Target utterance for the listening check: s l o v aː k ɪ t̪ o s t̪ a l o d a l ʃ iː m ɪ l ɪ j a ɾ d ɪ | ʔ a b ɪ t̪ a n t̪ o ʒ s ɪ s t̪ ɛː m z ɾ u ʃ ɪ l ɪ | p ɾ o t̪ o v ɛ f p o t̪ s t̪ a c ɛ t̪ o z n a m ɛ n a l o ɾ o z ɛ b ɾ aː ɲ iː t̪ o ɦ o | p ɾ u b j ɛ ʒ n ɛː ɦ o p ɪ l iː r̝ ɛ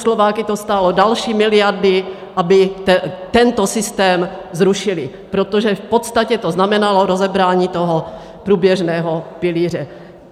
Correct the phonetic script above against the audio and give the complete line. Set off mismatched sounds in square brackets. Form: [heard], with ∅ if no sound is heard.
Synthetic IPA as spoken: s l o v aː k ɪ t̪ o s t̪ a l o d a l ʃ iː m ɪ l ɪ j a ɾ d ɪ | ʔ a b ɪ t̪ [ɛ] n t̪ o [∅] s ɪ s t̪ ɛː m z ɾ u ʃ ɪ l ɪ | p ɾ o t̪ o [ʒ] ɛ f p o t̪ s t̪ a c ɛ t̪ o z n a m ɛ n a l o ɾ o z ɛ b ɾ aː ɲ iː t̪ o ɦ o | p ɾ [uː] b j ɛ ʒ n ɛː ɦ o p ɪ l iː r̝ ɛ